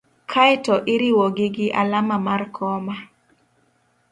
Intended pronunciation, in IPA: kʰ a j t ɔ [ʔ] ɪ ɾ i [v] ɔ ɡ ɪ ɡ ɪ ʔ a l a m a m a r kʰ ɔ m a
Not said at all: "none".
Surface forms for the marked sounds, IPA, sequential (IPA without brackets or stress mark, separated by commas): ʔ, w